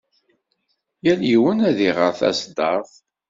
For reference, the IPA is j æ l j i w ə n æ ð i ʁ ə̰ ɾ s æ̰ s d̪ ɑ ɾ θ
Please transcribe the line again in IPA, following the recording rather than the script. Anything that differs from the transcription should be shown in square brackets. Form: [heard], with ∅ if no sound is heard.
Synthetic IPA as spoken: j æ l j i w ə n æ ð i ʁ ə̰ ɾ [θ] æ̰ s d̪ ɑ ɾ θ